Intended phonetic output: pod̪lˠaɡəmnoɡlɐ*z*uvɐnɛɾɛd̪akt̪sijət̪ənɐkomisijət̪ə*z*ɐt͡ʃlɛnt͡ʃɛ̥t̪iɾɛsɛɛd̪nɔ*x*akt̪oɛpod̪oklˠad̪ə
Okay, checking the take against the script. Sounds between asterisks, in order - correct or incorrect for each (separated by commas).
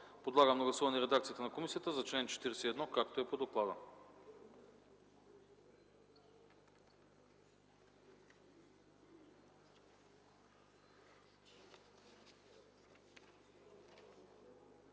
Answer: incorrect, correct, incorrect